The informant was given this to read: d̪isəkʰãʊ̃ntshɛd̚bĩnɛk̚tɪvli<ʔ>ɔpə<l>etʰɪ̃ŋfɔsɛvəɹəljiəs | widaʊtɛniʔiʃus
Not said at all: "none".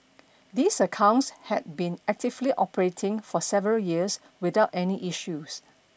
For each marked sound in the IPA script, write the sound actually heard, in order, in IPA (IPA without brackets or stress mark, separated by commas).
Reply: ʔ, ɹ